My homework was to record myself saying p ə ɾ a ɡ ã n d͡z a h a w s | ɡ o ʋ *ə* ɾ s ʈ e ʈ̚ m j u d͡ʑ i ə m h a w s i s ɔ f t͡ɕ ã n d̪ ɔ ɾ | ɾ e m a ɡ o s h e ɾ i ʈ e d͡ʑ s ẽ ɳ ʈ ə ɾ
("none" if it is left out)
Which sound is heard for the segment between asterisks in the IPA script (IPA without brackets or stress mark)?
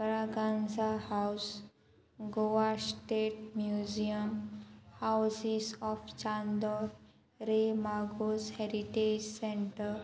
a